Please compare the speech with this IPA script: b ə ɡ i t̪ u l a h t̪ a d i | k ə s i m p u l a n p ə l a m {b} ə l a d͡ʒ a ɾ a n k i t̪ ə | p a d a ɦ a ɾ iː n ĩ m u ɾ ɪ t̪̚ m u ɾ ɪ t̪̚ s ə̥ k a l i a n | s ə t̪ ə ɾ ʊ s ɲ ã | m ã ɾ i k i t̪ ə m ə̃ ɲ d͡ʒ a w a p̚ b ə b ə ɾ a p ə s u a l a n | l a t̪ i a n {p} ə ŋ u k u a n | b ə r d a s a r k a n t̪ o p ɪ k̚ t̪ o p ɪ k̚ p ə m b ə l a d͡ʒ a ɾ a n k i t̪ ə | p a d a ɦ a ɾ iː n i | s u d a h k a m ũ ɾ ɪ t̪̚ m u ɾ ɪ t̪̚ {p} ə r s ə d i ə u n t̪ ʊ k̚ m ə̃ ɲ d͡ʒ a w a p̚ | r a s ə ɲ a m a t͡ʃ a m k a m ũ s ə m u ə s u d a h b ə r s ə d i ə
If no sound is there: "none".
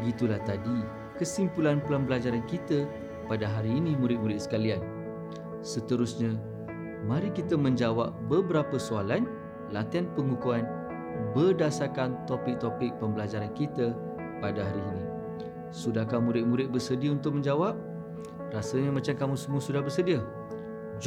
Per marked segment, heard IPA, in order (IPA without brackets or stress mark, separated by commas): b, p, b